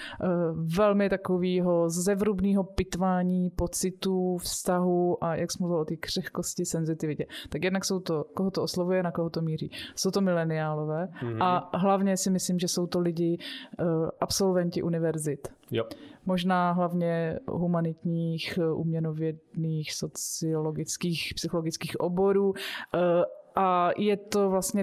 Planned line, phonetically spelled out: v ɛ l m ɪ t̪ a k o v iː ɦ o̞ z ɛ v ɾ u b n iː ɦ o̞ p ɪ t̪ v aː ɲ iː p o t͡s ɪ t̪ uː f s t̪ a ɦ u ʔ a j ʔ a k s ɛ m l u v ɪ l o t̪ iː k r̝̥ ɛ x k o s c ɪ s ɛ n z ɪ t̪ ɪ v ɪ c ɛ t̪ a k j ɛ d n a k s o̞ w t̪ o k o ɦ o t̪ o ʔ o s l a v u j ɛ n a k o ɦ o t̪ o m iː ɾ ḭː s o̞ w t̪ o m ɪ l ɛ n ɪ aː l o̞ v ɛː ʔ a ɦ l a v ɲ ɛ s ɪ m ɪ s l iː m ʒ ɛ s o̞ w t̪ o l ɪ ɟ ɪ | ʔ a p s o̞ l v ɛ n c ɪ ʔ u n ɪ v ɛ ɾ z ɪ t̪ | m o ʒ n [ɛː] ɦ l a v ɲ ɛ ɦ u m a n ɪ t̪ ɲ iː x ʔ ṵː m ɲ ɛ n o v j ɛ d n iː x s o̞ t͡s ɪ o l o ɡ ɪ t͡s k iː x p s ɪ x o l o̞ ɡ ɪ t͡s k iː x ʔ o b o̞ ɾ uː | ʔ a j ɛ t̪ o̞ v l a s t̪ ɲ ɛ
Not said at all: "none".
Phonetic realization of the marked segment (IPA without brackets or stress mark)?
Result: aː